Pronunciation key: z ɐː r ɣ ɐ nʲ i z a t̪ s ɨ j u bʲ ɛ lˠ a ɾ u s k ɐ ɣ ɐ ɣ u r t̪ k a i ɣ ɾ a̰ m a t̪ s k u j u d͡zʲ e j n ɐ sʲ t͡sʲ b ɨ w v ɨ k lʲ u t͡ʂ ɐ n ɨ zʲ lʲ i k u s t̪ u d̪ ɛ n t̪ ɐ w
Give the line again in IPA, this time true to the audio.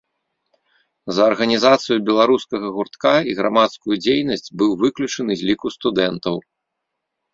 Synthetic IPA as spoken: z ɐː r ɣ ɐ nʲ i z a t̪ s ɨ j u bʲ ɛ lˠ a ɾ u s k ɐ ɣ ɐ ɣ u r t̪ k a i ɣ ɾ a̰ m a t̪ s k u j u d͡zʲ e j n ɐ sʲ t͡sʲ b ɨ w v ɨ k lʲ u t͡ʂ ɐ n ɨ zʲ lʲ i k u s t̪ u d̪ ɛ n t̪ ɐ w

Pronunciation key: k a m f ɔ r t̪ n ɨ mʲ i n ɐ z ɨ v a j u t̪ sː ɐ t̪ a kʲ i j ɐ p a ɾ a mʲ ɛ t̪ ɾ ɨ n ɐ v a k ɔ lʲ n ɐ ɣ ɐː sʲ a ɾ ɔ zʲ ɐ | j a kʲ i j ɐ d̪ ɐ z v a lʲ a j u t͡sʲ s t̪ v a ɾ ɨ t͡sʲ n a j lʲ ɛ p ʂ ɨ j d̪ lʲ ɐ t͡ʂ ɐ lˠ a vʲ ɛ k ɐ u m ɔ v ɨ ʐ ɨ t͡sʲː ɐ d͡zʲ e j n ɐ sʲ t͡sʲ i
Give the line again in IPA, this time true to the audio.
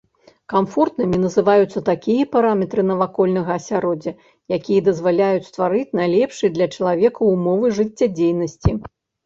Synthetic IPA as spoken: k a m f ɔ r t̪ n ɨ mʲ i n ɐ z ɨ v a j u t̪ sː ɐ t̪ a kʲ i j ɐ p a ɾ a mʲ ɛ t̪ ɾ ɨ n ɐ v a k ɔ lʲ n ɐ ɣ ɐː sʲ a ɾ ɔ d͡zʲ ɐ | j a kʲ i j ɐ d̪ ɐ z v a lʲ a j u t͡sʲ s t̪ v a ɾ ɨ t͡sʲ n a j lʲ ɛ p ʂ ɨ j d̪ lʲ ɐ t͡ʂ ɐ lˠ a vʲ ɛ k ɐ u m ɔ v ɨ ʐ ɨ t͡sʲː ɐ d͡zʲ e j n ɐ sʲ t͡sʲ i

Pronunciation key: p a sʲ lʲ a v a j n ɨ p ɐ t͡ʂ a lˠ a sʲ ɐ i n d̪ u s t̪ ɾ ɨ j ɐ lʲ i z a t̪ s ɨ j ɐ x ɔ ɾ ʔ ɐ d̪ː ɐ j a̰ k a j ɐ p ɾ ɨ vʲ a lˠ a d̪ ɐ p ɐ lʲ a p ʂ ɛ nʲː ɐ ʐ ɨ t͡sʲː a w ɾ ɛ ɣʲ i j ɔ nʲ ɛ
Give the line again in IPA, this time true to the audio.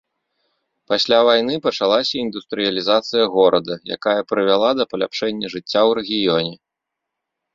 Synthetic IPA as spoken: p a sʲ lʲ a v a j n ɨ p ɐ t͡ʂ a lˠ a sʲ ɐ i n d̪ u s t̪ ɾ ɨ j ɐ lʲ i z a t̪ s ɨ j ɐ ɣ ɔ ɾ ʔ ɐ d̪ ɐ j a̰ k a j ɐ p ɾ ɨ vʲ a lˠ a d̪ ɐ p ɐ lʲ a p ʂ ɛ nʲː ɐ ʐ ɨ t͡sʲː a w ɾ ɛ ɣʲ i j ɔ nʲ ɛ

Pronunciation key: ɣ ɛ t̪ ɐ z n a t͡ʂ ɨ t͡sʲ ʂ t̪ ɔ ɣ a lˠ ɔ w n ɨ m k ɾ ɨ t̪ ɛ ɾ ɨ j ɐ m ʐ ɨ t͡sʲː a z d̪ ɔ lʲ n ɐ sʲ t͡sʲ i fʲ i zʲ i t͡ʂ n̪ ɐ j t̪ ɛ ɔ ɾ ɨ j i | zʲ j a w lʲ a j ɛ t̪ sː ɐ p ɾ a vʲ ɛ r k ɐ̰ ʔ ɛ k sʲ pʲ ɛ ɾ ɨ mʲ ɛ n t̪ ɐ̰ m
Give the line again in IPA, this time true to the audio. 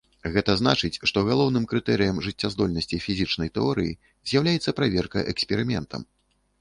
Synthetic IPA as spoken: ɣ ɛ t̪ ɐ z n a t͡ʂ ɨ t͡sʲ ʂ t̪ ɔ ɣ a lˠ ɔ w n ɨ m k ɾ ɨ t̪ ɛ ɾ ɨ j ɐ m ʐ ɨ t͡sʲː a z d̪ ɔ lʲ n ɐ sʲ t͡sʲ i fʲ i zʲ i t͡ʂ n̪ ɐ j t̪ ɛ ɔ ɾ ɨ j i | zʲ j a w lʲ a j ɛ t̪ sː ɐ p ɾ a vʲ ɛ r k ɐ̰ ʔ ɛ k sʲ pʲ ɛ ɾ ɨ mʲ ɛ n t̪ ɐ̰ m

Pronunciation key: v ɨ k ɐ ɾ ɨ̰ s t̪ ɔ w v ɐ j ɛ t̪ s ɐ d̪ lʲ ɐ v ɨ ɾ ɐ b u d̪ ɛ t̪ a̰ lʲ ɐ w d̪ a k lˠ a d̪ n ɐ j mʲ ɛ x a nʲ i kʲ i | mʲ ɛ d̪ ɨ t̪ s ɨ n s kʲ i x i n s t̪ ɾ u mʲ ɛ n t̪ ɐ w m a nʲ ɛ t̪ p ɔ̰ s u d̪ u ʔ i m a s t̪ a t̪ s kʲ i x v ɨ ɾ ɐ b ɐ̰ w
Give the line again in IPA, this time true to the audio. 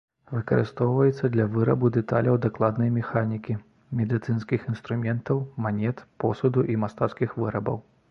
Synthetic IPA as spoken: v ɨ k ɐ ɾ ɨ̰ s t̪ ɔ w v ɐ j ɛ t̪ sː ɐ d̪ lʲ ɐ v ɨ ɾ ɐ b u d̪ ɛ t̪ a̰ lʲ ɐ w d̪ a k lˠ a d̪ n ɐ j mʲ ɛ x a nʲ i kʲ i | mʲ ɛ d̪ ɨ t̪ s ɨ n s kʲ i x i n s t̪ ɾ u mʲ ɛ n t̪ ɐ w m a nʲ ɛ t̪ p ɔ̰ s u d̪ u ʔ i m a s t̪ a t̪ s kʲ i x v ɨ ɾ ɐ b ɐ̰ w

